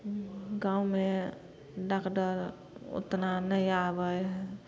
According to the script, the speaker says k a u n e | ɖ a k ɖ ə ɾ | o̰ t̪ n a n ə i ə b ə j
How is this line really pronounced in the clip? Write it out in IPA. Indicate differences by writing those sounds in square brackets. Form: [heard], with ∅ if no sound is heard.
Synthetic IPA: [ɡ] a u [m] e | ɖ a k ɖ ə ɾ | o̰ t̪ n a n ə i [a] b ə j